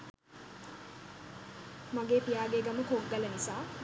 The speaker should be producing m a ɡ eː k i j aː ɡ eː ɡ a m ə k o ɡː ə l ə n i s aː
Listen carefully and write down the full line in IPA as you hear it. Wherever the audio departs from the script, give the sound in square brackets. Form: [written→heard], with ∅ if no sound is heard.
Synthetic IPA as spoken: m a ɡ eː [k→p] i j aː ɡ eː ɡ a m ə k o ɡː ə l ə n i s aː